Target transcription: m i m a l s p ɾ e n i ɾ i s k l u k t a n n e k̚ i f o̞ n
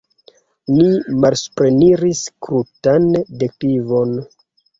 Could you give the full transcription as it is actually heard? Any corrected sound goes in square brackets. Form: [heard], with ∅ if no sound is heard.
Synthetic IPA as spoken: [n] i m a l s p ɾ e n i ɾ i s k [ɾ] u [∅] t a n [d] e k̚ i [v] o̞ n